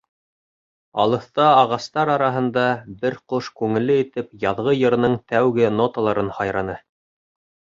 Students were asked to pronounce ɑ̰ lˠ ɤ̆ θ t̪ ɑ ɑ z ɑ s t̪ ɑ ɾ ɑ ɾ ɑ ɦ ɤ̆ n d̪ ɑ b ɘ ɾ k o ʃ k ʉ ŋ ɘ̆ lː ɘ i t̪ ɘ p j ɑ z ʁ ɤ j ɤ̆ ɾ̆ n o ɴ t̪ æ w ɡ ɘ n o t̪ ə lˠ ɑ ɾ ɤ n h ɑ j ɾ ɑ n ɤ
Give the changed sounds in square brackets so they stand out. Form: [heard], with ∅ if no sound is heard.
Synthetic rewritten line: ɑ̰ lˠ ɤ̆ θ t̪ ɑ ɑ [ʁ] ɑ s t̪ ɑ ɾ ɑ ɾ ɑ ɦ ɤ̆ n d̪ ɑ b ɘ ɾ [q] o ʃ k ʉ ŋ ɘ̆ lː ɘ i t̪ ɘ p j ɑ [ð] ʁ ɤ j ɤ̆ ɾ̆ n [ɤ] ɴ t̪ æ w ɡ ɘ n o t̪ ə lˠ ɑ ɾ ɤ n h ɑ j ɾ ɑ n ɤ